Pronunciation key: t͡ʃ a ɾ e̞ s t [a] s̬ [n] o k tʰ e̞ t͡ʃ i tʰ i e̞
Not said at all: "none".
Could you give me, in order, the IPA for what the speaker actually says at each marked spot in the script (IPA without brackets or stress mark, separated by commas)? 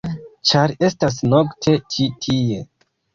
a, n